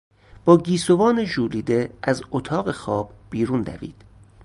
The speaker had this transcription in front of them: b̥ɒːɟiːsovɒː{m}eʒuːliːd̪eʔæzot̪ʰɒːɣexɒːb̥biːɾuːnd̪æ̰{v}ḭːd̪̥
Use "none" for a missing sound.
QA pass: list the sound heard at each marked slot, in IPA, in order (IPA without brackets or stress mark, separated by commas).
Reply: n, v